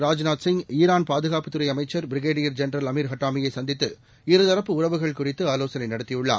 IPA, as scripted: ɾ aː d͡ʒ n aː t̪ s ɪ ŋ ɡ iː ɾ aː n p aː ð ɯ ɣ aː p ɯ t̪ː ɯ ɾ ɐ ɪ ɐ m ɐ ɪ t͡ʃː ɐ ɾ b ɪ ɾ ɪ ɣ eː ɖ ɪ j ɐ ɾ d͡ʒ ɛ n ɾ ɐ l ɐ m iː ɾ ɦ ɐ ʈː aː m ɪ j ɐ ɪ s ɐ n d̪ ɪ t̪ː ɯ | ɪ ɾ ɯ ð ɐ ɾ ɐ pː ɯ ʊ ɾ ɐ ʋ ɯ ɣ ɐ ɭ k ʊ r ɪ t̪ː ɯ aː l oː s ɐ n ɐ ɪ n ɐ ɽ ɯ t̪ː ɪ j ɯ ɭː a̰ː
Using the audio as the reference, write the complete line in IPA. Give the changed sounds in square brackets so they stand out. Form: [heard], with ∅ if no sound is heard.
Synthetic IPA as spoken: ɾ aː d͡ʒ n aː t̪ s ɪ ŋ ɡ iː ɾ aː n p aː ð ɯ ɣ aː p ɯ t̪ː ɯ ɾ ɐ ɪ ɐ m ɐ ɪ t͡ʃː ɐ ɾ b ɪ ɾ ɪ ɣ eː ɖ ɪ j ɐ ɾ d͡ʒ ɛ n ɾ ɐ l ɐ m iː ɾ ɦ ɐ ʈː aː m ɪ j ɐ ɪ s ɐ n d̪ ɪ t̪ː ɯ | ɪ ɾ ɯ ð ɐ ɾ ɐ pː ɯ ʊ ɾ ɐ ʋ ɯ ɣ ɐ ɭ k ʊ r ɪ t̪ː ɯ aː l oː s ɐ n ɐ ɪ n ɐ ɽ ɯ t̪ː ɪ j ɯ ɭː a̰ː